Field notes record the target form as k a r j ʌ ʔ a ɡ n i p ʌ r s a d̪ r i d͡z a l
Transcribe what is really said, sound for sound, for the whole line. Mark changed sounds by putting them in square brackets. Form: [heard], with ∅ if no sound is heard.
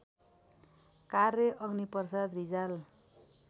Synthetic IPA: k a r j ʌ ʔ [ʌ] ɡ n i p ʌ r s a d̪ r i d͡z a l